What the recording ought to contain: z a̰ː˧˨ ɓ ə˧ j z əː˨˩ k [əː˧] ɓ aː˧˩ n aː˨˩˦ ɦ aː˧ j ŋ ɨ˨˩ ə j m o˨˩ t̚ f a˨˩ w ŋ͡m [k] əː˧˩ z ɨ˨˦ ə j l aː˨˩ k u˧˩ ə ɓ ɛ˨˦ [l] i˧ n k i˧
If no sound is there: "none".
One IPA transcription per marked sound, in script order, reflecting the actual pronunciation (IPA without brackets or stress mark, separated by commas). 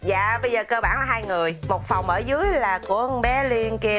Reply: əː˧, ʔ, l